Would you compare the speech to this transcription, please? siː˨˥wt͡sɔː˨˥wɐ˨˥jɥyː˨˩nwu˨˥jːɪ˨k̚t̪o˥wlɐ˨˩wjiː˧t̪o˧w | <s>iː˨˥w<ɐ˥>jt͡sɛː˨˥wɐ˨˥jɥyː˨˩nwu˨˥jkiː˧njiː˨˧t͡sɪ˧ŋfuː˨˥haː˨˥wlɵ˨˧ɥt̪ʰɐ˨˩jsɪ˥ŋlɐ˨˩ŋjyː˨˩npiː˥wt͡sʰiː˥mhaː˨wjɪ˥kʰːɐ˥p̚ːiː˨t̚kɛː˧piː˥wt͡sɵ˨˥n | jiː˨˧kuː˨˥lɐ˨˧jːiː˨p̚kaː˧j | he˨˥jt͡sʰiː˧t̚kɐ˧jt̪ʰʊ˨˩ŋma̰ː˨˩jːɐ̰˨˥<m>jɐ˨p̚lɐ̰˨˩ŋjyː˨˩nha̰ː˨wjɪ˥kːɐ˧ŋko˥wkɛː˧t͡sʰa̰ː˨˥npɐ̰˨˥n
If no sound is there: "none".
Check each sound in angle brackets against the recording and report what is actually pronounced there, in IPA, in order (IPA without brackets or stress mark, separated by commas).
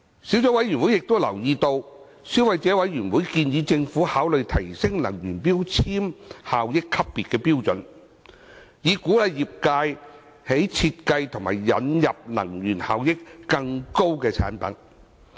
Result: s, ɐ˨˧, n